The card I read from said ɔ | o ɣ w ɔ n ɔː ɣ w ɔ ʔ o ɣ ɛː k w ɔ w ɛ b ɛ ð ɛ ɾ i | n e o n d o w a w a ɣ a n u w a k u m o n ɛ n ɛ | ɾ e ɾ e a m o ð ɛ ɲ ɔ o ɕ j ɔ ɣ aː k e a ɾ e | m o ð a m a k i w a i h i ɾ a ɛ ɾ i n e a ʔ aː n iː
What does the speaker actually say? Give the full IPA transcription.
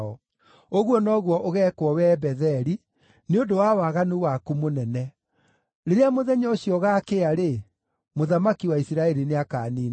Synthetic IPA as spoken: ɔ | o ɣ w ɔ n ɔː ɣ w ɔ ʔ o ɣ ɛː k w ɔ w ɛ b ɛ ð ɛ ɾ i | n e o n d o w a w a ɣ a n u w a k u m o n ɛ n ɛ | ɾ e ɾ e a m o ð ɛ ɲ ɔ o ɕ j ɔ ɣ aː k e a ɾ e | m o ð a m a k i w a i s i ɾ a ɛ ɾ i n e a k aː n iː